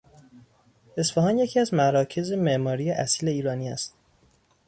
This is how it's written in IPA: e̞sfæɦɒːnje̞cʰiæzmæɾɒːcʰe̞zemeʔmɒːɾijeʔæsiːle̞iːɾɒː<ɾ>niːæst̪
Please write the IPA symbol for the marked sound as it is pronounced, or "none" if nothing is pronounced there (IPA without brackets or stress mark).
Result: none